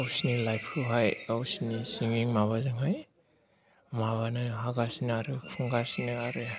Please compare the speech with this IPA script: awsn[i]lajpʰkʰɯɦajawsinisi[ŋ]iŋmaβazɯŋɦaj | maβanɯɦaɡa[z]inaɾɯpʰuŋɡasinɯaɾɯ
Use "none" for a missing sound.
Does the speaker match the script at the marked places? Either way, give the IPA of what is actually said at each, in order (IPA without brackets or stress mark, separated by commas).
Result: i, ŋ, s